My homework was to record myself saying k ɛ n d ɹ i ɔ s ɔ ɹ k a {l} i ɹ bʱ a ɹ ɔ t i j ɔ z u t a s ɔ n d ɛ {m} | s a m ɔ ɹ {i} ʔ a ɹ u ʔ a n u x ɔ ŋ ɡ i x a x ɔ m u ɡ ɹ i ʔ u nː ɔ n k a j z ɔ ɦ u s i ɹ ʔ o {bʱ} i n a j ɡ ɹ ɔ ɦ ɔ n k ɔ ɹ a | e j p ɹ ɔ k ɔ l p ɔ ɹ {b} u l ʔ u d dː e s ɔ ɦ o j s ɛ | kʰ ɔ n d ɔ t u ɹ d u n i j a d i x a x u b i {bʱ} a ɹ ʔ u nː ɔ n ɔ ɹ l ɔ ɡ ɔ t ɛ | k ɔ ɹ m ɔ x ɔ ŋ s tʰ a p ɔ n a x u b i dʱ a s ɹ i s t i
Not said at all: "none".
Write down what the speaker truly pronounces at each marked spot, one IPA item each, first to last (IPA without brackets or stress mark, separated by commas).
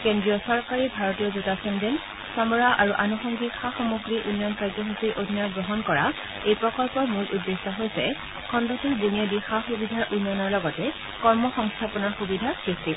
ɹ, n, a, dʱ, m, dʱ